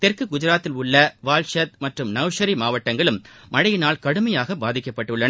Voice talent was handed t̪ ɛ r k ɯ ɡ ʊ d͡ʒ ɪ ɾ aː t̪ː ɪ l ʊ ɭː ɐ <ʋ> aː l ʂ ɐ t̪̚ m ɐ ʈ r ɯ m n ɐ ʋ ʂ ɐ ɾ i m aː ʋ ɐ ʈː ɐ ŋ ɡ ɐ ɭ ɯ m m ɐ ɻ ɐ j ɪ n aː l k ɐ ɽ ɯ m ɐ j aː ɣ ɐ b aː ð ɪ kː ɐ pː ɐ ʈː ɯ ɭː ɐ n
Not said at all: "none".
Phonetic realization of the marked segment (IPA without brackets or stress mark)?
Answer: ʋ